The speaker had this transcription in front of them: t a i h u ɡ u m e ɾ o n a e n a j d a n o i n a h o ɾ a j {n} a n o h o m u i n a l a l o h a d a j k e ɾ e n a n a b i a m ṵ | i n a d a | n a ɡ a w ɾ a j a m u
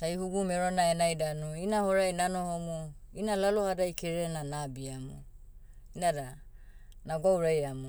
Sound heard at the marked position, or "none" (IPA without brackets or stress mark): n